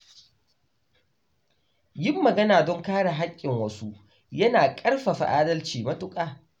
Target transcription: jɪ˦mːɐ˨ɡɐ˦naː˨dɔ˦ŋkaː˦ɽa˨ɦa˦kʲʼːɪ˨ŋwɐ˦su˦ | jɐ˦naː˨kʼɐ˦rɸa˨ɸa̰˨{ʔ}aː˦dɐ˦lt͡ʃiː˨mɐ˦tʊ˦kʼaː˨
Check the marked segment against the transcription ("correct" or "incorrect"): correct